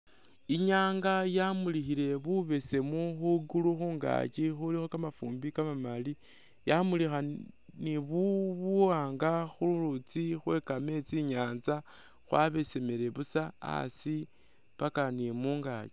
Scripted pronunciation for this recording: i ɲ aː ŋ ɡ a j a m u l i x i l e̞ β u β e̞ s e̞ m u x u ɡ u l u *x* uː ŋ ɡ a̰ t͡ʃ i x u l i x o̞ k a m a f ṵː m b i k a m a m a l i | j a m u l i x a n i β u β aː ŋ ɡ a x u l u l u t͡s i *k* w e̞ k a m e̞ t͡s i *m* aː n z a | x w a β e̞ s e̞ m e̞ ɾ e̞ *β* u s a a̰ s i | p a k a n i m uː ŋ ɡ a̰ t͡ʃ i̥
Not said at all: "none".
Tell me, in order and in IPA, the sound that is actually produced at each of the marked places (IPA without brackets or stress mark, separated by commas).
x, x, ɲ, β